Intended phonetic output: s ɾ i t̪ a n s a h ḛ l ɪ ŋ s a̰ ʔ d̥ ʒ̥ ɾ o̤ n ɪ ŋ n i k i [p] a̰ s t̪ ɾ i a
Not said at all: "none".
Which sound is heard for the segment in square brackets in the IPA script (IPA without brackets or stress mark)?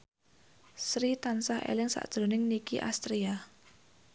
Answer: ʔ